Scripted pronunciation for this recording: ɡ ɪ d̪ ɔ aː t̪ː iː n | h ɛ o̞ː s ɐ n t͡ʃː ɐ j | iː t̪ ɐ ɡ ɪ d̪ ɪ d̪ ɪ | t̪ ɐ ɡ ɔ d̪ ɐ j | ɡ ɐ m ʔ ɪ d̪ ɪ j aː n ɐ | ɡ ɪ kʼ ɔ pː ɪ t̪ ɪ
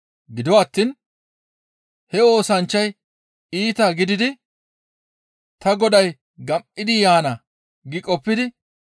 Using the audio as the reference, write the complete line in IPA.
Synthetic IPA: ɡ ɪ d̪ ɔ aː t̪ː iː n | h ɛ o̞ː s ɐ n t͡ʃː ɐ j | iː t̪ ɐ ɡ ɪ d̪ ɪ d̪ ɪ | t̪ ɐ ɡ ɔ d̪ ɐ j | ɡ ɐ m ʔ ɪ d̪ ɪ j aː n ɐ | ɡ ɪ kʼ ɔ pː ɪ d̪ ɪ